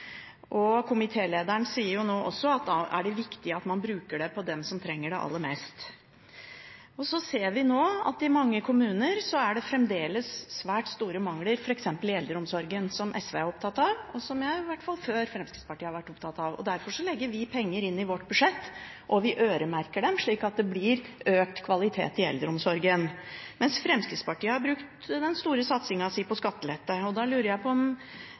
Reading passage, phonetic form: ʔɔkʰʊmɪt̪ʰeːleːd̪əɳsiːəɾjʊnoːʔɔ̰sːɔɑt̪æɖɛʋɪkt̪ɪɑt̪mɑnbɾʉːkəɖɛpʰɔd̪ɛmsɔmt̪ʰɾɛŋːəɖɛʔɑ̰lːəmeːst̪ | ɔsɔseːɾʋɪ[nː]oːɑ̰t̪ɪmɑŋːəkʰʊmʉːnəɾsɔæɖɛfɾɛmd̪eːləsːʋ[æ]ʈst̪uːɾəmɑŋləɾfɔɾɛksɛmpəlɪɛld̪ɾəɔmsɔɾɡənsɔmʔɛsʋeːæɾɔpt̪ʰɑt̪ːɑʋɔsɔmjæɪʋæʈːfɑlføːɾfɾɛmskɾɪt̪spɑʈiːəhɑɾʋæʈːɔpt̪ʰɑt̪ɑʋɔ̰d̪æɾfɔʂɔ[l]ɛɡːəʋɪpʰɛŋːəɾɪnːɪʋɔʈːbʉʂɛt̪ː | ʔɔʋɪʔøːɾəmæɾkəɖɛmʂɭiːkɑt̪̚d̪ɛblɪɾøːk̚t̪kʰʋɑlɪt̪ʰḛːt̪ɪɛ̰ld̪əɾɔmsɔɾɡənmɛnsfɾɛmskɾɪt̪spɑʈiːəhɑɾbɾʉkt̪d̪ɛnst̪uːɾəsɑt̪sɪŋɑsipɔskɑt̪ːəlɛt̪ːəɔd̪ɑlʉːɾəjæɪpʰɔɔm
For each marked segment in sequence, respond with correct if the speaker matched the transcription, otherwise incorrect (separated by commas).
incorrect, incorrect, correct